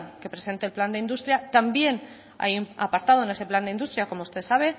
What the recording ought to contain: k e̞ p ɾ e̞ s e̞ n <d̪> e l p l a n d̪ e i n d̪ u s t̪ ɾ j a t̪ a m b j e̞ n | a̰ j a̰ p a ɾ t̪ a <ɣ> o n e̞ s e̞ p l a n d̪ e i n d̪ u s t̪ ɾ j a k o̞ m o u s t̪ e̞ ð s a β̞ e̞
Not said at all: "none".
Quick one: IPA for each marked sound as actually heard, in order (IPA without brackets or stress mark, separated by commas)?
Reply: t̪, ð